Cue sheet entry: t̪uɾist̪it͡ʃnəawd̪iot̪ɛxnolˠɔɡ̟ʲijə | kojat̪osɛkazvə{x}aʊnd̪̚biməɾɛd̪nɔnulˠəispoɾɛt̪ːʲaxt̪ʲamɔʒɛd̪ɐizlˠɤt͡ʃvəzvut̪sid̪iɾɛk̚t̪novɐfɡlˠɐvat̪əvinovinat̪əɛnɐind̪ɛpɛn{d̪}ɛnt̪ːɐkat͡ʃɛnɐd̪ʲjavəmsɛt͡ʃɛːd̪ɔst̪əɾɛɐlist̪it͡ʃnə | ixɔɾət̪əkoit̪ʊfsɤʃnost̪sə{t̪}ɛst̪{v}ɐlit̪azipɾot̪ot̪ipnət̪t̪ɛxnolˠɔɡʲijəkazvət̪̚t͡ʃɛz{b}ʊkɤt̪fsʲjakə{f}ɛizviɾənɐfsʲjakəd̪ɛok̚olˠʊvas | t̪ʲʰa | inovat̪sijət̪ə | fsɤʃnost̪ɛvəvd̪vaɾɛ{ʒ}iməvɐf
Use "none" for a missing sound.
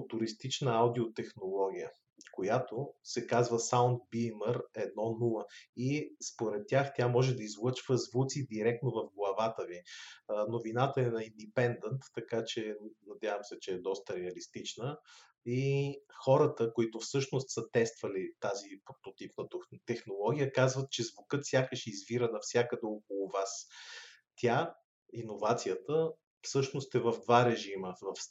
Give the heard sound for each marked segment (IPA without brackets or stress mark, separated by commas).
s, d̪, t̪, v, v, ʃ, ʒ